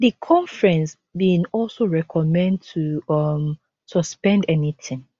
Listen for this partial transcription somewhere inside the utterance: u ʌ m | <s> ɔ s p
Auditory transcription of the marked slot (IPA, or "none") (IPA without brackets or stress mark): s